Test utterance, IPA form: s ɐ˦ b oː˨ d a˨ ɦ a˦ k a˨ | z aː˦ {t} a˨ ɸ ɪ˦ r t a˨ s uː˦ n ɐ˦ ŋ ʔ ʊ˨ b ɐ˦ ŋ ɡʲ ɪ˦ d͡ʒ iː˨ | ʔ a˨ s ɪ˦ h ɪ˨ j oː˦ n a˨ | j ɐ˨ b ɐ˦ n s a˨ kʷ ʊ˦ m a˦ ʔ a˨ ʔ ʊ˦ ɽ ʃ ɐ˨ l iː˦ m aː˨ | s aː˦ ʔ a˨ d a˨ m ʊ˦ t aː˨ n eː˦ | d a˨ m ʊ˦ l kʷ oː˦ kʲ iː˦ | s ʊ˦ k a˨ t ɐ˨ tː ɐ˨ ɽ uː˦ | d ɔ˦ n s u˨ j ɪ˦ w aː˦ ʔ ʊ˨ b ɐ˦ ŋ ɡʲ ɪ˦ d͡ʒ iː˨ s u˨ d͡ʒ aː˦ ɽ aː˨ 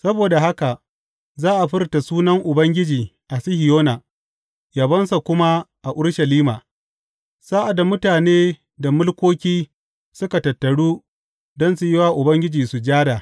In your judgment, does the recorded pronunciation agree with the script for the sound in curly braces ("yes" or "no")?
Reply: no